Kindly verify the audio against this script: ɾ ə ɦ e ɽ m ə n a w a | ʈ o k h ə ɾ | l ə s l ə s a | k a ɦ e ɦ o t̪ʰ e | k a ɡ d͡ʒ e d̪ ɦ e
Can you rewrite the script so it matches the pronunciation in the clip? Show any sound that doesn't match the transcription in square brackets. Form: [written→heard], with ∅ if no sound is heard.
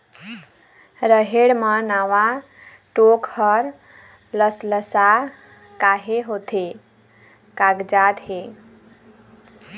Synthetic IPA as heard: ɾ ə ɦ e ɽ m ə n a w a | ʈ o k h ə ɾ | l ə s l ə s a | k a ɦ e ɦ o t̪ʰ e | k a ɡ d͡ʒ [e→a] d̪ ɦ e